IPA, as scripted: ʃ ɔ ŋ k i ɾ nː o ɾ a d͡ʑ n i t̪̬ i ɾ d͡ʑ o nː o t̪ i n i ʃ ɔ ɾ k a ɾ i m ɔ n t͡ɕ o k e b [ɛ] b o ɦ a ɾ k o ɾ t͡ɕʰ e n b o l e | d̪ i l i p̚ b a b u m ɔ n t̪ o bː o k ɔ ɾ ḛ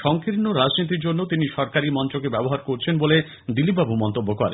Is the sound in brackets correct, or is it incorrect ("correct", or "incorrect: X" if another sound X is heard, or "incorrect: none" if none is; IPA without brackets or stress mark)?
correct